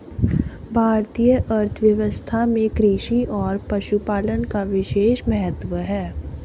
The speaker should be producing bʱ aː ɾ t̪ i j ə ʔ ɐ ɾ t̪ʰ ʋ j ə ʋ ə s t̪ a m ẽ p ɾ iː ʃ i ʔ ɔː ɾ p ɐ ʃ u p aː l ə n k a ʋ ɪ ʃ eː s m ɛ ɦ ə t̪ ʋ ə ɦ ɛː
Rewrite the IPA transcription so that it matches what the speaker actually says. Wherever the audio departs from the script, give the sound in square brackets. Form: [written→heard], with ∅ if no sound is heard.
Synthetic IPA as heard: bʱ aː ɾ t̪ i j ə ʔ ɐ ɾ t̪ʰ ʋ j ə ʋ ə s [t̪→t̪ʰ] a m ẽ [p→k] ɾ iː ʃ i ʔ ɔː ɾ p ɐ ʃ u p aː l ə n k a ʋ ɪ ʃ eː [s→ʃ] m ɛ ɦ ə t̪ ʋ ə ɦ ɛː